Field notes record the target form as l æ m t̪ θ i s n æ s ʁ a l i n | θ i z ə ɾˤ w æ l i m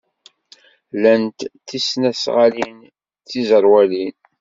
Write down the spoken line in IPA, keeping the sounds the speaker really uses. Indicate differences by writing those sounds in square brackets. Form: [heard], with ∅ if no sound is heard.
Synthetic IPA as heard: l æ [n] t̪ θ i s n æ s ʁ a l i n | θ i z ə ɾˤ w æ l i [n]